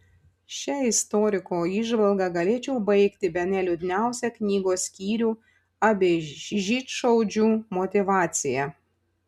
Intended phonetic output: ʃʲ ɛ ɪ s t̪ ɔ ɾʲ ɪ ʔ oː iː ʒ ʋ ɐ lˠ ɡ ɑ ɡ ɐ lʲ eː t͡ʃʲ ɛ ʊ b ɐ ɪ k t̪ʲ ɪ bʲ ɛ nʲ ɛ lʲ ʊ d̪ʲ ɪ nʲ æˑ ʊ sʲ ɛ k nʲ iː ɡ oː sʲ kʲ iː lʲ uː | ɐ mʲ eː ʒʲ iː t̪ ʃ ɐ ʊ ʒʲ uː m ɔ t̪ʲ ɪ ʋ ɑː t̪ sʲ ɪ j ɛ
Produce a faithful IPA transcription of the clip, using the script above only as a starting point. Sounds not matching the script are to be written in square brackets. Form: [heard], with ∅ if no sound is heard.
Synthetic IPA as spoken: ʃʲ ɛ ɪ s t̪ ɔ ɾʲ ɪ [k] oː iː ʒ ʋ ɐ lˠ ɡ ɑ ɡ ɐ lʲ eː t͡ʃʲ ɛ ʊ b ɐ ɪ k t̪ʲ ɪ bʲ ɛ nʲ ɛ lʲ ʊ d̪ʲ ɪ nʲ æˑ ʊ sʲ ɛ k nʲ iː ɡ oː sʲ kʲ iː [ɾʲ] uː | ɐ [bʲ] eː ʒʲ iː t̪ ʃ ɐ ʊ [d͡ʒʲ] uː m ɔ t̪ʲ ɪ ʋ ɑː t̪ sʲ ɪ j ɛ